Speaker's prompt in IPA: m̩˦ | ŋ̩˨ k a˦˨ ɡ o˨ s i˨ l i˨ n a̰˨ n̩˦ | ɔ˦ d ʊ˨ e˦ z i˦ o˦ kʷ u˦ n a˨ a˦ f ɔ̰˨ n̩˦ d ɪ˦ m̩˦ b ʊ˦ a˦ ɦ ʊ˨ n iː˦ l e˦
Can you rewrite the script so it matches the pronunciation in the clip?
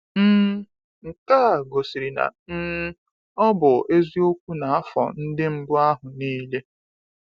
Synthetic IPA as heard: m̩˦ | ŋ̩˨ k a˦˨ ɡ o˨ s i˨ ɾ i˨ n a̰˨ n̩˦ | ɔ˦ b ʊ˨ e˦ z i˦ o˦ kʷ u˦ n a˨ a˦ f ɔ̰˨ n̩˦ d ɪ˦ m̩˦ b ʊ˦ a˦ ɦ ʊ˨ n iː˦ l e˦

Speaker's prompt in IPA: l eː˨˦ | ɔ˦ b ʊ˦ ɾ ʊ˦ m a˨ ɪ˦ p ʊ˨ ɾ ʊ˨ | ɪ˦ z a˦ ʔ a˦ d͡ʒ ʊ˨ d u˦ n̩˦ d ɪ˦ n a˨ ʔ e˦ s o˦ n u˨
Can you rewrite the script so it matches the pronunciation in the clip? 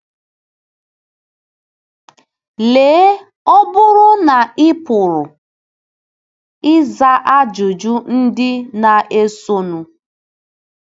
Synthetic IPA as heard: l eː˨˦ | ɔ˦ b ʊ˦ ɾ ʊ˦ n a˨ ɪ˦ p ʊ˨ ɾ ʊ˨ | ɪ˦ z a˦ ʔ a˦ d͡ʒ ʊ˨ d͡ʒ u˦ n̩˦ d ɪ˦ n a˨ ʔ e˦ s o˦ n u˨

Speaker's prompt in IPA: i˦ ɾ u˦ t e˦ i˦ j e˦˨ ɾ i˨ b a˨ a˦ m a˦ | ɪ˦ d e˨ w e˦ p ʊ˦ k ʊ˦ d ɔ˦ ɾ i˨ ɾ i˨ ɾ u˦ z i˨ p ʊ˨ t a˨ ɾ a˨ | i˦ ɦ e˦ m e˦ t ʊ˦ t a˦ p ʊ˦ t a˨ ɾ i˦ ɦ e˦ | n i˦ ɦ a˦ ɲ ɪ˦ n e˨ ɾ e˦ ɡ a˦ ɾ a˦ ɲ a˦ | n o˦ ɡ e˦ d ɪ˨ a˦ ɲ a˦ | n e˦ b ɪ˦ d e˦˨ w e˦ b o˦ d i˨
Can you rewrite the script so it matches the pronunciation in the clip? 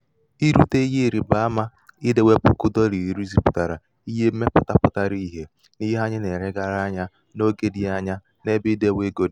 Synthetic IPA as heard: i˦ ɾ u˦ t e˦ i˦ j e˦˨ ɾ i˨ b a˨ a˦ m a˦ | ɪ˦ d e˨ w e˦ p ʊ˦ k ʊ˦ d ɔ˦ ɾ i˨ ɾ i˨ ɾ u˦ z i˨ p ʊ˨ t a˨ ɾ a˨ | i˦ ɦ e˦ m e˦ p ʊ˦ t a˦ p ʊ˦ t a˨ ɾ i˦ ɦ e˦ | n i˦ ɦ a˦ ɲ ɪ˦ n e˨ ɾ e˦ ɡ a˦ ɾ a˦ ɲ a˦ | n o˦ ɡ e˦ d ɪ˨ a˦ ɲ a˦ | n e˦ b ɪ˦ d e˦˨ w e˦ ɡ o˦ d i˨

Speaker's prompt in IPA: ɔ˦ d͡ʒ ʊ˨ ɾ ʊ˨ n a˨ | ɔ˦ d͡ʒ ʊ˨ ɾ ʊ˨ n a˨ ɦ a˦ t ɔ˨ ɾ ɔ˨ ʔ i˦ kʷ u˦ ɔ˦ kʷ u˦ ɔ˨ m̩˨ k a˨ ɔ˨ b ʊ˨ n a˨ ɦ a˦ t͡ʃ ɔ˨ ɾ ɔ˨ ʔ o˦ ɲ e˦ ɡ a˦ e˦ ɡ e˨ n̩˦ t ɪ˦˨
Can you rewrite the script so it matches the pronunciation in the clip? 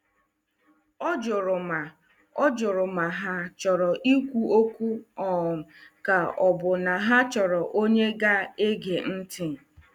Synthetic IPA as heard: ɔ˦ d͡ʒ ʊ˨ ɾ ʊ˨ m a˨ | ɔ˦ d͡ʒ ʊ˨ ɾ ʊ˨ m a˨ ɦ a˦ t͡ʃ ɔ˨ ɾ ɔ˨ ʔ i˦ kʷ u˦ o˦ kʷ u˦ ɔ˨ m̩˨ k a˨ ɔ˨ b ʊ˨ n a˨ ɦ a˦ t͡ʃ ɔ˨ ɾ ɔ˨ ʔ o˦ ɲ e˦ ɡ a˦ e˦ ɡ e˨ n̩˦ t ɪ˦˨

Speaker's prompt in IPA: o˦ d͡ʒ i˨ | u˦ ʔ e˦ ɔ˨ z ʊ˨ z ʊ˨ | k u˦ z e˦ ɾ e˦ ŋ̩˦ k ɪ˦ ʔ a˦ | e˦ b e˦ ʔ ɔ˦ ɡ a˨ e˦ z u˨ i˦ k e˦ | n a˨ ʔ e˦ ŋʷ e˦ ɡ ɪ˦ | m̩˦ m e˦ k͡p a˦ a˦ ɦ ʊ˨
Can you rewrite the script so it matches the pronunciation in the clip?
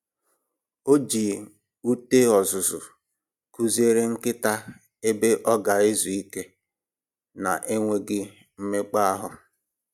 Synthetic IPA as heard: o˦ d͡ʒ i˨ | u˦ t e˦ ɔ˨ z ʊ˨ z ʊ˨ | k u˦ z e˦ ɾ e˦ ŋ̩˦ k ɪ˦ t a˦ | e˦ b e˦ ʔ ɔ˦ ɡ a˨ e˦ z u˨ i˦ k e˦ | n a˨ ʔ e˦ ŋʷ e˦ ɡ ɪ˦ | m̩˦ m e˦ k͡p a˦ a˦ ɦ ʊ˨

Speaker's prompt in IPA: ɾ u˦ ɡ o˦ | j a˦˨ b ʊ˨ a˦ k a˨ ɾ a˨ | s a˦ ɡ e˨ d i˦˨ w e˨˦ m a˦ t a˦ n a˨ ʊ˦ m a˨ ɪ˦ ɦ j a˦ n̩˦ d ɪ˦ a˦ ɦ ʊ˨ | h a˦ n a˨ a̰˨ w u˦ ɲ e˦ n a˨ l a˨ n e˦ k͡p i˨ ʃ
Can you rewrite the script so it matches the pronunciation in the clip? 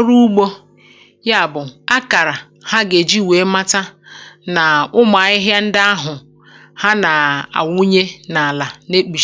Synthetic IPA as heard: ɾ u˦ ɡ͡b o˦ | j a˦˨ b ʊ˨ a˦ k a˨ ɾ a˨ | h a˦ ɡ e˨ d͡ʒ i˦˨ w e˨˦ m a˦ t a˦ n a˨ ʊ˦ m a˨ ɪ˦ ɦ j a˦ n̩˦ d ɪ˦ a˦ ɦ ʊ˨ | h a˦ n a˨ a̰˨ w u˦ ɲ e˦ n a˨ l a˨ n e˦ k͡p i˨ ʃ

